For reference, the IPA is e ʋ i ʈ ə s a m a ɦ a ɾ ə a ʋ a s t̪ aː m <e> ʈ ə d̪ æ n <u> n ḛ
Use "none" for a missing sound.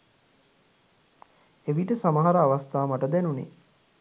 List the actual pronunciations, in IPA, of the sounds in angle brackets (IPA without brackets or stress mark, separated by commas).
a, u